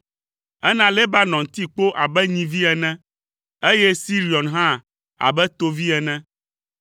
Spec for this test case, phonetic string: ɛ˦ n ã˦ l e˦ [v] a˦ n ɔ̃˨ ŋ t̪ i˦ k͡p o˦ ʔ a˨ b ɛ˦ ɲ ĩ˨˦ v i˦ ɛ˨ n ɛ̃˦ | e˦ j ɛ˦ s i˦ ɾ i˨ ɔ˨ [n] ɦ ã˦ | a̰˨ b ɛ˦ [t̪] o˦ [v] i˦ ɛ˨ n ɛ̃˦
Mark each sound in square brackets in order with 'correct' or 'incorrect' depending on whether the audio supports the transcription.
incorrect, correct, correct, correct

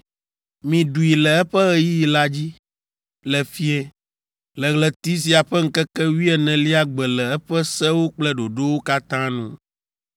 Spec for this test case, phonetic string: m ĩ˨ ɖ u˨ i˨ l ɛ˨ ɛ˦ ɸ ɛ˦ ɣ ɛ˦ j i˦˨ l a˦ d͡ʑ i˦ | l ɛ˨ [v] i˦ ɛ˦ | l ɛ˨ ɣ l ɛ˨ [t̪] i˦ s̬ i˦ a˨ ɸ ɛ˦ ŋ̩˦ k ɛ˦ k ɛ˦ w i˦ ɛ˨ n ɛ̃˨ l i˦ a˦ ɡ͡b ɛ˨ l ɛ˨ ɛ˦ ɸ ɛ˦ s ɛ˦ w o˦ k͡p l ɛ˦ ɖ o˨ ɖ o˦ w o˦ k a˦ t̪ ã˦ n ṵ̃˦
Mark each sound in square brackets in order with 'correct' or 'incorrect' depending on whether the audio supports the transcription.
incorrect, correct

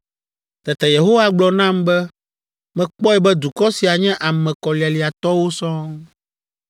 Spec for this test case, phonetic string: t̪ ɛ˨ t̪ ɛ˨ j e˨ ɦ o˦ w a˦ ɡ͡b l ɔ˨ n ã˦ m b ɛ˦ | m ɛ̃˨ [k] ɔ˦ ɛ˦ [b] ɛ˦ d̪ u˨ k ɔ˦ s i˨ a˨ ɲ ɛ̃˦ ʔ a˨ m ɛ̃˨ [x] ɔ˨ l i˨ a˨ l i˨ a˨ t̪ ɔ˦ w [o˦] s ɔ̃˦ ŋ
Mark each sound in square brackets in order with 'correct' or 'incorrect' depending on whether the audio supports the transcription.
incorrect, correct, incorrect, correct

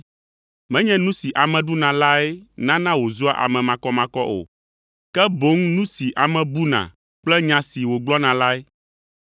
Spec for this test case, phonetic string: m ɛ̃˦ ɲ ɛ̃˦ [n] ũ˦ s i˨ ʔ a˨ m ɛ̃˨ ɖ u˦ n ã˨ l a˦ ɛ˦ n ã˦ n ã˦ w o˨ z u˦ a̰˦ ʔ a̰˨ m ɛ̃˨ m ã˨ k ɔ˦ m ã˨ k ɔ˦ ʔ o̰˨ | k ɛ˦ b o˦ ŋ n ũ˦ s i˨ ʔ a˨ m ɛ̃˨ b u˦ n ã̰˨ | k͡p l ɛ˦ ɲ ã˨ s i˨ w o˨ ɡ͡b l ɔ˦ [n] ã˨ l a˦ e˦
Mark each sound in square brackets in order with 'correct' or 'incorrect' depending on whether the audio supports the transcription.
correct, correct

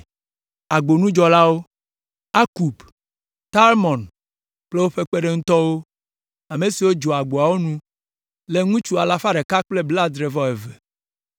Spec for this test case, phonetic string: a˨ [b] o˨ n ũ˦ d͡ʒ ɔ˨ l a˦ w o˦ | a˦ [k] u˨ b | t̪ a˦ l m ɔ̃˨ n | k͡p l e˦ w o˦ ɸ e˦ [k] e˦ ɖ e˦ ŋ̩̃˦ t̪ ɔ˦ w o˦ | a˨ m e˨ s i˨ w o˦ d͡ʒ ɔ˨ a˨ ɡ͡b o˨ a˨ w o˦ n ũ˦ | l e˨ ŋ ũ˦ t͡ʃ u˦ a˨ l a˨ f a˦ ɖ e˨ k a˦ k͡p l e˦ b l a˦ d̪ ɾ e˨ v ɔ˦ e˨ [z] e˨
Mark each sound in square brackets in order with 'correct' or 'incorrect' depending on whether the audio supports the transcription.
incorrect, correct, incorrect, incorrect

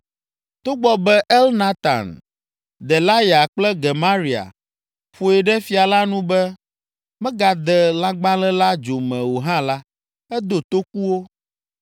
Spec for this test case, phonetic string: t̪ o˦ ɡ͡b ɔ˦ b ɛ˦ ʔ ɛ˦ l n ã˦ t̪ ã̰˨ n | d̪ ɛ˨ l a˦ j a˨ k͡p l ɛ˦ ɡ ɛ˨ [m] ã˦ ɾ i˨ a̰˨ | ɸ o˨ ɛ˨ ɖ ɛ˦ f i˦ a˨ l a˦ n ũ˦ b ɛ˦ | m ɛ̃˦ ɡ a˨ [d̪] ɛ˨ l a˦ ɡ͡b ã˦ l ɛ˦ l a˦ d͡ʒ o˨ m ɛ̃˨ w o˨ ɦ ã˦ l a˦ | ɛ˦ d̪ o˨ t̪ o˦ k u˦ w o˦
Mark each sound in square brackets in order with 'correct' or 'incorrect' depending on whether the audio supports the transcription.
correct, correct

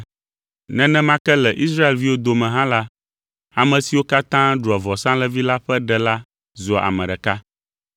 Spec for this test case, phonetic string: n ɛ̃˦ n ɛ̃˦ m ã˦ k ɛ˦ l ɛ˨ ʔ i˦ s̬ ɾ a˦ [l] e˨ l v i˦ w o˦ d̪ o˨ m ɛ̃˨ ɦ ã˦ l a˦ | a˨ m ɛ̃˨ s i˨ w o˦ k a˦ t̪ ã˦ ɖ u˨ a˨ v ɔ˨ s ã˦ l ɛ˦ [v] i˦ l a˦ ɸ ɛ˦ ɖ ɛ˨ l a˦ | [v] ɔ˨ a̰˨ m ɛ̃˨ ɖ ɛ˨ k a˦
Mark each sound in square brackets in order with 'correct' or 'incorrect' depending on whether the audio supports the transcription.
incorrect, correct, incorrect

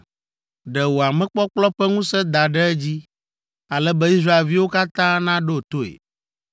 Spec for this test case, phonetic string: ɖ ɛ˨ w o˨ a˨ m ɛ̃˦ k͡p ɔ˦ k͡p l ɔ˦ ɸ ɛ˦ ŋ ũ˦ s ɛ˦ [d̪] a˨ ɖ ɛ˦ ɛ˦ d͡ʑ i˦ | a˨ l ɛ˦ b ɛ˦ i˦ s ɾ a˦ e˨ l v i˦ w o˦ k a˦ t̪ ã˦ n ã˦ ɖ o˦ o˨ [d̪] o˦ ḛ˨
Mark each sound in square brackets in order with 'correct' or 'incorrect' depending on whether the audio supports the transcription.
correct, incorrect

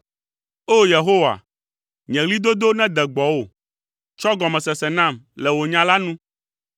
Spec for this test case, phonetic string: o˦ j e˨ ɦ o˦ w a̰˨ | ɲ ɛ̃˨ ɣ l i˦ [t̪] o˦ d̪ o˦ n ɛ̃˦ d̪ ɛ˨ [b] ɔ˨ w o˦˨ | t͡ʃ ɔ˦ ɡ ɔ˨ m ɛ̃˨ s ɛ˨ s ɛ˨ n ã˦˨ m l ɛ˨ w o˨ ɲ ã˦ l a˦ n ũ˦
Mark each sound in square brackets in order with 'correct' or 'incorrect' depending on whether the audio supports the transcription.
incorrect, incorrect

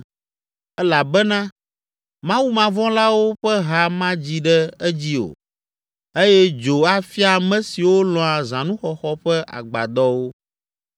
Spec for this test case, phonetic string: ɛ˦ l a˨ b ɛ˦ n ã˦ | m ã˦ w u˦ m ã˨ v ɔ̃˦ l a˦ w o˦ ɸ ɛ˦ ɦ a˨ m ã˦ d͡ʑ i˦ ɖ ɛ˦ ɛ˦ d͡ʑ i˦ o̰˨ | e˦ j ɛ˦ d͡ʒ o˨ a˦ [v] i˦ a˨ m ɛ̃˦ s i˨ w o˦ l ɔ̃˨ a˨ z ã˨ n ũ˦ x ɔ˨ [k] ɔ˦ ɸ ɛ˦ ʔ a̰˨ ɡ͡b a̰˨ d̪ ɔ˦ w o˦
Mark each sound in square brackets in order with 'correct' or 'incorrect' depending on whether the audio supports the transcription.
incorrect, incorrect

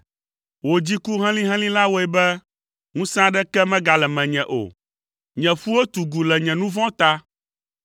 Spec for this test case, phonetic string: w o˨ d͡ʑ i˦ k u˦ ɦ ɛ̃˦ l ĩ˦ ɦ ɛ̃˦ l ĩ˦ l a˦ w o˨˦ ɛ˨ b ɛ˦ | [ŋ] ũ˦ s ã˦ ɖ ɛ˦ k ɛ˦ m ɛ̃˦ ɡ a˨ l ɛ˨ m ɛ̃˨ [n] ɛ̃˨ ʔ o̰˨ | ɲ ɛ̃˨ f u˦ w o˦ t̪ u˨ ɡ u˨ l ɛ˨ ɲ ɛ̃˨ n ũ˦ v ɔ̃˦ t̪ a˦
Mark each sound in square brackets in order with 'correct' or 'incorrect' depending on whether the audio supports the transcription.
correct, incorrect

